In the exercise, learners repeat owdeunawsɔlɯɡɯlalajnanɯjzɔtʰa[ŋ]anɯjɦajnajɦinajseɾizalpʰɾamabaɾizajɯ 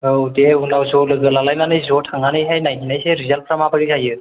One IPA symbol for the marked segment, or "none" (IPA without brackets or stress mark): ŋ